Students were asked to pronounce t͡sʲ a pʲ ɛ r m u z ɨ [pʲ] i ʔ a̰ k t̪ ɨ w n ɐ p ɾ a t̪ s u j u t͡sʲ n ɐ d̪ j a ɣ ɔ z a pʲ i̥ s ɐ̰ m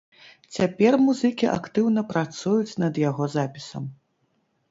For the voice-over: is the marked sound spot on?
no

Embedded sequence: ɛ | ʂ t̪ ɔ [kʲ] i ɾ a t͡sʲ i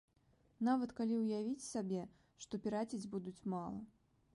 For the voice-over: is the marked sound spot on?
no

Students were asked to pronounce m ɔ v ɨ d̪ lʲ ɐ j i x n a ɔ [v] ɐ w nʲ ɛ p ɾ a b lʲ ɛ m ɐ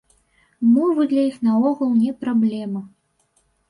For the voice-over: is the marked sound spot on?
no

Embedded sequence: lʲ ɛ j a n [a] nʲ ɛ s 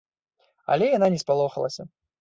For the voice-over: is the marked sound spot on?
yes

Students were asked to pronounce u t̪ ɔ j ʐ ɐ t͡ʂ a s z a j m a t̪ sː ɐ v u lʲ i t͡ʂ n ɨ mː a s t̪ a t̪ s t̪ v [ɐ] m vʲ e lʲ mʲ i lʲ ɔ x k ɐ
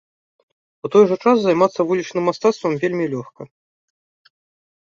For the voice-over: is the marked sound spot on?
yes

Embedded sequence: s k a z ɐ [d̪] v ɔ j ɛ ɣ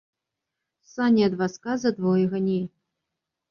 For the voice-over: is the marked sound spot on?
yes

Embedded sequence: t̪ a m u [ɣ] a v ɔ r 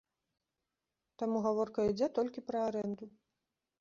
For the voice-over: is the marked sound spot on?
yes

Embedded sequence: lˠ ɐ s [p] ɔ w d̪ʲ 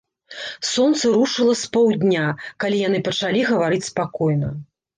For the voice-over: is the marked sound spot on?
yes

